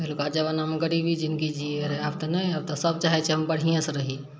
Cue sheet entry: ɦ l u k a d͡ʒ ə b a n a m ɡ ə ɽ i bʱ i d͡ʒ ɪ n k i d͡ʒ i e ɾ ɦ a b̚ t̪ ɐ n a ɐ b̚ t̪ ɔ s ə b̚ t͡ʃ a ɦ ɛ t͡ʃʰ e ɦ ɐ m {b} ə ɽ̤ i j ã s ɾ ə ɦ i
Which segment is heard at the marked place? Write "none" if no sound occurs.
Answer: b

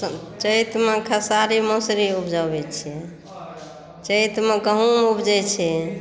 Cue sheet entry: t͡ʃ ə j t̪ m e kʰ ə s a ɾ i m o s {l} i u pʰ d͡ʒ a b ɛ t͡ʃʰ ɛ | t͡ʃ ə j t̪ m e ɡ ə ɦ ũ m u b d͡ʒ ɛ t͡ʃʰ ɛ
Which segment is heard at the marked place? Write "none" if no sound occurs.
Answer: ɾ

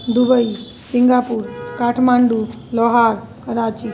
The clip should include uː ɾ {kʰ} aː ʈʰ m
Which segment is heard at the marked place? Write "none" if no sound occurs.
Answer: k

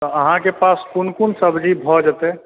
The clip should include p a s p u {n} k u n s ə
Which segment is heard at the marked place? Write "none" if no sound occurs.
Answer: n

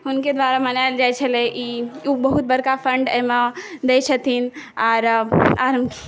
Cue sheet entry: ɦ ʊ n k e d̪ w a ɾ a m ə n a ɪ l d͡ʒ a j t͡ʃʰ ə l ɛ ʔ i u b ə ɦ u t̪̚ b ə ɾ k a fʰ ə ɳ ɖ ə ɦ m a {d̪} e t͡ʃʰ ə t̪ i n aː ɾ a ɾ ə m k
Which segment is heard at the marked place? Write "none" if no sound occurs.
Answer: d̪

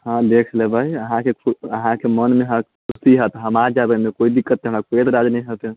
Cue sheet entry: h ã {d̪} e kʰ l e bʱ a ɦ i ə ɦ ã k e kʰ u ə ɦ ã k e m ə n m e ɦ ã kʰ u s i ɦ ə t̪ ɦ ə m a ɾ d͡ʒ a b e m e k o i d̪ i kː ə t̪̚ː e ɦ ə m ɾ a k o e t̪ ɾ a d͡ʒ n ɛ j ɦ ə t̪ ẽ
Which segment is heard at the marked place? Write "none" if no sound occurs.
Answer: d̪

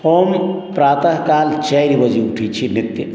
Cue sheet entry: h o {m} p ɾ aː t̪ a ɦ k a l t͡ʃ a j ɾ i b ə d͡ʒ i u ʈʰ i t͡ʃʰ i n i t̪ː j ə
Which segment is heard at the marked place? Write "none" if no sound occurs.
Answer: m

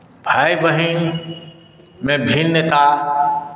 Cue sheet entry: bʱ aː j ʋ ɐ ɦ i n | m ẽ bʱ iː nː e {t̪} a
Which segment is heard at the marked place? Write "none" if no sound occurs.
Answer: t̪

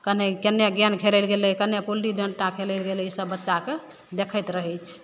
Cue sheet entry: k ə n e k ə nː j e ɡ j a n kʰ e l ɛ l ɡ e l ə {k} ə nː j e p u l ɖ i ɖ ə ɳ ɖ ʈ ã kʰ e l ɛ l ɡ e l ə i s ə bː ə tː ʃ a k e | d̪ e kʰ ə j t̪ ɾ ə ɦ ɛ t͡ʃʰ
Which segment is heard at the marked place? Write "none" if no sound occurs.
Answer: k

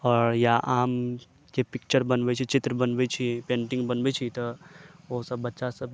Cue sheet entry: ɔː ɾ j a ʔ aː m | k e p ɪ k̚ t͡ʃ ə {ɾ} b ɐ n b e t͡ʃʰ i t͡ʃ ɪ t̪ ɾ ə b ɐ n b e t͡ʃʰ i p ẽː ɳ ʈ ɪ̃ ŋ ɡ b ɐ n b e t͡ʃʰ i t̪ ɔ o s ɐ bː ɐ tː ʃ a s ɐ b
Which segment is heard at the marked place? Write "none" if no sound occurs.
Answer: ɾ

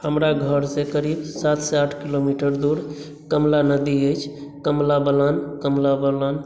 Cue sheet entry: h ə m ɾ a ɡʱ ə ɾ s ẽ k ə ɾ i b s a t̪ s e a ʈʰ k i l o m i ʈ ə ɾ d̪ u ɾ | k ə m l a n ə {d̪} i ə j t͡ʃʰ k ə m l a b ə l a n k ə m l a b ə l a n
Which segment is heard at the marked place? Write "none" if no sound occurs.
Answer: d̪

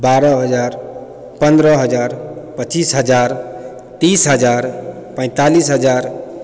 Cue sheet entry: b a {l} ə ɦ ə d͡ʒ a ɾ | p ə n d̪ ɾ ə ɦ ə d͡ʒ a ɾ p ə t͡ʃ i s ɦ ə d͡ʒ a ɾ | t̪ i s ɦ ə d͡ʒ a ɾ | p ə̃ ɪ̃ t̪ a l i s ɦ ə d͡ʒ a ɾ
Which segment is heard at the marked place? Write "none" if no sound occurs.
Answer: ɾ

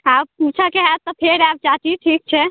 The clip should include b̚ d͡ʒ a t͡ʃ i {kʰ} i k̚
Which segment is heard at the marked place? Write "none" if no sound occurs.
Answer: ʈʰ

